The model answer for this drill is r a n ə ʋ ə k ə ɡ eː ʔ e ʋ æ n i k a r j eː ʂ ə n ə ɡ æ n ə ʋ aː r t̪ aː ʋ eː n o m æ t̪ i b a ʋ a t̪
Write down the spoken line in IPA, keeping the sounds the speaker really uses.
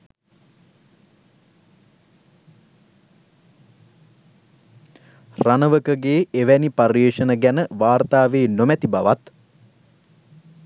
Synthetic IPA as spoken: r a n ə ʋ ə k ə ɡ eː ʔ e ʋ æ n i p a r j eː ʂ ə n ə ɡ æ n ə ʋ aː r t̪ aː ʋ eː n o m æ t̪ i b a ʋ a t̪